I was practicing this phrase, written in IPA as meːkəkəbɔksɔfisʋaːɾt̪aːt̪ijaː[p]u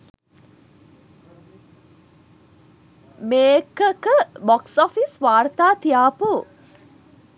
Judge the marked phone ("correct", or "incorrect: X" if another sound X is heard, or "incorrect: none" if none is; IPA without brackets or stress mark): correct